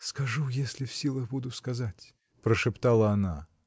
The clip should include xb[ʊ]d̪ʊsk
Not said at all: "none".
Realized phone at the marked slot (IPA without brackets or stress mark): u